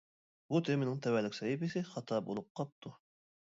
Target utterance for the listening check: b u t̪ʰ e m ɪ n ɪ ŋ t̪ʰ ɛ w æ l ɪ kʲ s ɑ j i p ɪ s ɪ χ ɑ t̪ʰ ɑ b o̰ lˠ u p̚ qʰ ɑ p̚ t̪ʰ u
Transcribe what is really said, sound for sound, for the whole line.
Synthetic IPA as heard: b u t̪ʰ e m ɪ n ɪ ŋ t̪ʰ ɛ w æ l ɪ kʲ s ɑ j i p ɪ s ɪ χ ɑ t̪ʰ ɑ b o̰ lˠ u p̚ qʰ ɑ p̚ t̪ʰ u